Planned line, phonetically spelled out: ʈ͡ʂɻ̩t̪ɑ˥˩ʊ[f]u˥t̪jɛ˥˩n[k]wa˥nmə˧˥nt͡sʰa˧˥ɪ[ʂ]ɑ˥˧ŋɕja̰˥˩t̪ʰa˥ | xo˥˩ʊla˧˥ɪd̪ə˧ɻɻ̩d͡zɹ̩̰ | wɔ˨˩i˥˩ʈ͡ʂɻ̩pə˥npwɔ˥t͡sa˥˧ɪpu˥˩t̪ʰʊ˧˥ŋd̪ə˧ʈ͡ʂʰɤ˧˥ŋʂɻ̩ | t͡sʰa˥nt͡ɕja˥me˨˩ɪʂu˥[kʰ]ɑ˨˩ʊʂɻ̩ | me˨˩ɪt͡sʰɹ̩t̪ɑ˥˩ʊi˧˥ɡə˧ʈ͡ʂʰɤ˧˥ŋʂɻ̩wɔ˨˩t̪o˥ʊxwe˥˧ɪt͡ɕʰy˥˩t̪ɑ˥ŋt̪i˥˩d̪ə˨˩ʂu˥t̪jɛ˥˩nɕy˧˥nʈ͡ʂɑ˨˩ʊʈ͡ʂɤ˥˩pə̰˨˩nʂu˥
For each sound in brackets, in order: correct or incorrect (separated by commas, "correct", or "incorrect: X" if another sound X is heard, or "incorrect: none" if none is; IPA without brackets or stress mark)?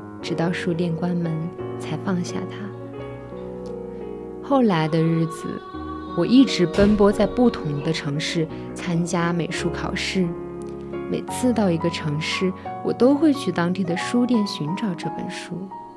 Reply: incorrect: ʂ, correct, incorrect: f, correct